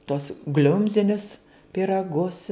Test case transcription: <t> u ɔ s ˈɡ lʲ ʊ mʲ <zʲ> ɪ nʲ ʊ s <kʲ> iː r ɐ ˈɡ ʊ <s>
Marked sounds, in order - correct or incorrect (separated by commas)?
correct, correct, incorrect, correct